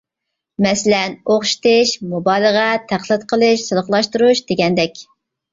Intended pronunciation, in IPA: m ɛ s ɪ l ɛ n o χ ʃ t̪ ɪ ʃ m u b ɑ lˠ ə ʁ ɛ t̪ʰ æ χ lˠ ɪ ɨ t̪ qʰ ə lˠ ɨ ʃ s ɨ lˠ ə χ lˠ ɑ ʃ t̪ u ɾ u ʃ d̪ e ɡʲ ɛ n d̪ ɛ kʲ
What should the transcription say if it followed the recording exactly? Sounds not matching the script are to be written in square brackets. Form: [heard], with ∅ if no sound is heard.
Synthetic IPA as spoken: m ɛ s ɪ l ɛ n o χ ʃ t̪ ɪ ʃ m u b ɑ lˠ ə ʁ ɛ t̪ʰ æ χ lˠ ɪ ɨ t̪ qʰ ə lˠ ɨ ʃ s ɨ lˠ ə χ lˠ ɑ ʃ t̪ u ɾ u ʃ d̪ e ɡʲ ɛ n d̪ ɛ kʲ